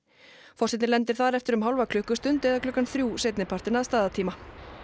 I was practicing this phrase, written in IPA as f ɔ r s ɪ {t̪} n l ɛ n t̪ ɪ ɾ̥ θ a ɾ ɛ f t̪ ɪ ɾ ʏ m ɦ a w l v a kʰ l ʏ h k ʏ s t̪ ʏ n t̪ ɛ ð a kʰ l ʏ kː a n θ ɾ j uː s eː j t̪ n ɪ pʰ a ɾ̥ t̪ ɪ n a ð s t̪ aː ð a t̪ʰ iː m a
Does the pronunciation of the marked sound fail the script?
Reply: no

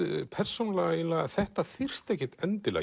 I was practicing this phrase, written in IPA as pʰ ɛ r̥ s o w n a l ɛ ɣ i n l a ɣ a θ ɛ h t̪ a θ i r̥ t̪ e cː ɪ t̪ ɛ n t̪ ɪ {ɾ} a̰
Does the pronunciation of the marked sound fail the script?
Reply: yes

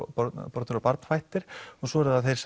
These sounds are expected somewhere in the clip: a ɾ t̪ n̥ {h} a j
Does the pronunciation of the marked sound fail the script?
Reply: yes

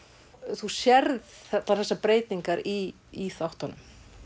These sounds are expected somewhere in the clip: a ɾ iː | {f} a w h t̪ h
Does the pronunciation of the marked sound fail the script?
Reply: yes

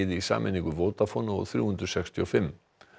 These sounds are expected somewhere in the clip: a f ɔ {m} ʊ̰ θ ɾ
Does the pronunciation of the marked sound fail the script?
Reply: yes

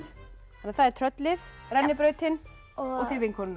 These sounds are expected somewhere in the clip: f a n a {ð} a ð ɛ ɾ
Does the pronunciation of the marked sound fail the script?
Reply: yes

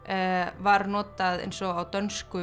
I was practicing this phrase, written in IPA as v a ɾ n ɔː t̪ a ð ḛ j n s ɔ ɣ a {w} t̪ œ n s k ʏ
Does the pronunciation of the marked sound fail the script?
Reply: no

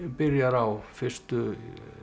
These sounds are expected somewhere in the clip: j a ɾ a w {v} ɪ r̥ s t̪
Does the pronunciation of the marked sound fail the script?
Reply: yes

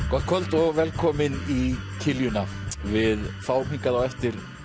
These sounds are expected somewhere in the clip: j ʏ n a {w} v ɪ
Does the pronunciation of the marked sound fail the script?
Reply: yes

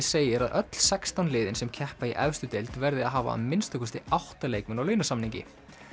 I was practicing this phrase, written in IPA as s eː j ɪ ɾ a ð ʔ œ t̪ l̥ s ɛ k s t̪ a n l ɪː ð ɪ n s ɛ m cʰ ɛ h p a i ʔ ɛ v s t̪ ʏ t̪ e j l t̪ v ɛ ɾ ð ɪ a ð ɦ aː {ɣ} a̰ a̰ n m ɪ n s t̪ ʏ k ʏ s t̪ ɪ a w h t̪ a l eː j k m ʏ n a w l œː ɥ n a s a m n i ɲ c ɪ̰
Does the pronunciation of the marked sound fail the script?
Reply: yes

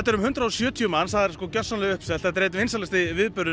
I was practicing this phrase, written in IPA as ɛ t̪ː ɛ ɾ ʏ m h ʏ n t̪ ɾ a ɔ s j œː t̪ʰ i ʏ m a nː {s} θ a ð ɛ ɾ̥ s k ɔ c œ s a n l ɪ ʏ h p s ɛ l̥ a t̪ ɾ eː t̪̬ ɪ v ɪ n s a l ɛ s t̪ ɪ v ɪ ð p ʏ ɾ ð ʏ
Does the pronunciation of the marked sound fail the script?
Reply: no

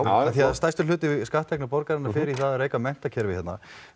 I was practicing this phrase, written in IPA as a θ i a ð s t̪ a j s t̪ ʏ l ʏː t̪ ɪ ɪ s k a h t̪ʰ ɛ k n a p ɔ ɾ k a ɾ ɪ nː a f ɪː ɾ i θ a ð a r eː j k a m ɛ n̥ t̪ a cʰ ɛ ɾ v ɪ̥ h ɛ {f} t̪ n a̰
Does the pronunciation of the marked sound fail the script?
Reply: yes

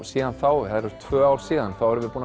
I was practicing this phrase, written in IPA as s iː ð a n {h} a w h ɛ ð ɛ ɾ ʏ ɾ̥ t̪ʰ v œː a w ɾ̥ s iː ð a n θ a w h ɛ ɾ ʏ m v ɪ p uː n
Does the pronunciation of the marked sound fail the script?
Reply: yes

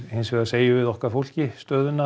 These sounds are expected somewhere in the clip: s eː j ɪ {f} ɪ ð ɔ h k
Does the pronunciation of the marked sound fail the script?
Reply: yes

